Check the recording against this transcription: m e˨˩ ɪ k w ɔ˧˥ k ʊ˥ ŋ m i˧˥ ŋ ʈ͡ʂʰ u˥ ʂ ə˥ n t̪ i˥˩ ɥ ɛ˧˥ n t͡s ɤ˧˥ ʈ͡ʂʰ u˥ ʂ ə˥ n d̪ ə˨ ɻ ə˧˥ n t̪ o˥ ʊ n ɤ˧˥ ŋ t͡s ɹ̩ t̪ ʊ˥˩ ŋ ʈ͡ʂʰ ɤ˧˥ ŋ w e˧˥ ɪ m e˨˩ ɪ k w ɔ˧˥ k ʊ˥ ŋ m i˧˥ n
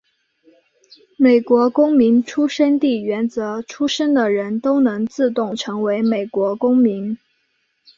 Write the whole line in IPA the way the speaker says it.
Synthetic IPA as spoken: m e˨˩ ɪ k w ɔ˧˥ k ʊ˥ ŋ m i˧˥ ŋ ʈ͡ʂʰ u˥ ʂ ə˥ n t̪ i˥˩ ɥ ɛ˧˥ n t͡s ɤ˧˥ ʈ͡ʂʰ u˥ ʂ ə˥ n d̪ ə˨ ɻ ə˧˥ n t̪ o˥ ʊ n ɤ˧˥ ŋ t͡s ɹ̩ t̪ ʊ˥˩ ŋ ʈ͡ʂʰ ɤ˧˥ ŋ w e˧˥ ɪ m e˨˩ ɪ k w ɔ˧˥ k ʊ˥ ŋ m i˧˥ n